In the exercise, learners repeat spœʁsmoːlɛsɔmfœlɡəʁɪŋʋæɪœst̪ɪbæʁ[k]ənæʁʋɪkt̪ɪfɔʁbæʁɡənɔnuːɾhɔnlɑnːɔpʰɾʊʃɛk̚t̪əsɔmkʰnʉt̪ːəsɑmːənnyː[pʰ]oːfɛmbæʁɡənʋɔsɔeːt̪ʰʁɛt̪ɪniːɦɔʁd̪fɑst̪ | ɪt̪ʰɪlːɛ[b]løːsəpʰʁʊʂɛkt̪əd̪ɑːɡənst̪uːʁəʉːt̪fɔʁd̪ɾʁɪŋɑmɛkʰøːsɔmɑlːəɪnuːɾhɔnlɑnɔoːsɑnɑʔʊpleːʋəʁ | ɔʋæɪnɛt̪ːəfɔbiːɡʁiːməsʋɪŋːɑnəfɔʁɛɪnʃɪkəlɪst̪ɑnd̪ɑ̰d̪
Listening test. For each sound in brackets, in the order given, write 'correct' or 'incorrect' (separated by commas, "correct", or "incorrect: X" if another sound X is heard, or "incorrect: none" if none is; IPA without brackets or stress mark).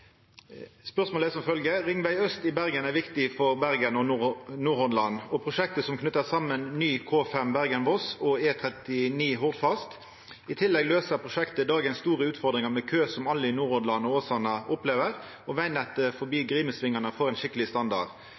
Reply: incorrect: ɡ, incorrect: kʰ, incorrect: ɡ